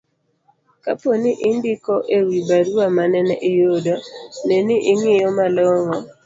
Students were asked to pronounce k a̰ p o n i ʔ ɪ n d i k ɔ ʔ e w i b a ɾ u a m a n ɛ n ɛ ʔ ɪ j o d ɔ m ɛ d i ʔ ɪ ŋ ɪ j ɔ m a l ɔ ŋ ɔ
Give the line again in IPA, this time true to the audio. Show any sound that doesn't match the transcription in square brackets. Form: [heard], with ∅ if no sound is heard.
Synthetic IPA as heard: k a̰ p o n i ʔ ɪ n d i k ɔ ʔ e w i b a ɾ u a m a n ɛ n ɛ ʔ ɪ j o d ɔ [n] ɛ [n] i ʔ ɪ ŋ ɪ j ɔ m a l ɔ ŋ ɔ